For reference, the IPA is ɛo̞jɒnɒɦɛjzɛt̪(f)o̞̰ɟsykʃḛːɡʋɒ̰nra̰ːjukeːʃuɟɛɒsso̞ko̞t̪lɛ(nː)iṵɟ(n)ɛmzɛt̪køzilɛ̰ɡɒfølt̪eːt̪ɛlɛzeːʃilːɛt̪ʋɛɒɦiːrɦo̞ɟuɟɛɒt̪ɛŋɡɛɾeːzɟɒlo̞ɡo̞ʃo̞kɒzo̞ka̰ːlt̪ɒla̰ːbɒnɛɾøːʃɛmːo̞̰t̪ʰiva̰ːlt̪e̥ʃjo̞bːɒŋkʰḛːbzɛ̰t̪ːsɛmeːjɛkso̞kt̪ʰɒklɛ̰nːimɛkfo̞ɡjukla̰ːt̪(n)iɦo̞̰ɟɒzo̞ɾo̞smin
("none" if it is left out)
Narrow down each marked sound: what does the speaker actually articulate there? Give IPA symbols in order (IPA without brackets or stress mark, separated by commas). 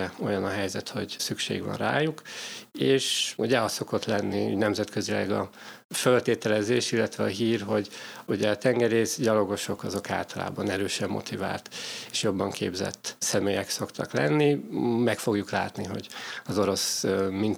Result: h, nː, n, n